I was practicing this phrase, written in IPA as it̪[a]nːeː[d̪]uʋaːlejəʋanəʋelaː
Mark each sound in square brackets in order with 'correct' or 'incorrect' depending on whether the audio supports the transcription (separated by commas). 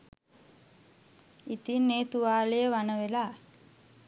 incorrect, incorrect